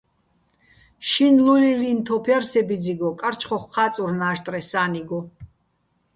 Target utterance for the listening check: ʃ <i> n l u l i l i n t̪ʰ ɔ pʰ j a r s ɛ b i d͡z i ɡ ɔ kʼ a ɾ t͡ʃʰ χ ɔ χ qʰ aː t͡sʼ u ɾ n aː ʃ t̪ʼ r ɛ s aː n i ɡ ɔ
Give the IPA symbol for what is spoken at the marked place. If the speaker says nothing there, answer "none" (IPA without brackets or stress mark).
i